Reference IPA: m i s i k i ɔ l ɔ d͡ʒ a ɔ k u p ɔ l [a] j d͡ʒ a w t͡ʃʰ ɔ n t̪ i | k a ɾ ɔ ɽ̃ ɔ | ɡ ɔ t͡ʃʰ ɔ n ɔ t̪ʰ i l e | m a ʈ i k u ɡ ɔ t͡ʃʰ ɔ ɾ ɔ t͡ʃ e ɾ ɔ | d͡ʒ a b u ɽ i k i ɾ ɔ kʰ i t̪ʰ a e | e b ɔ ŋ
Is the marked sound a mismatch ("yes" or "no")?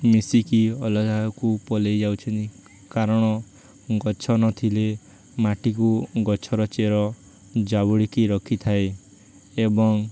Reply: yes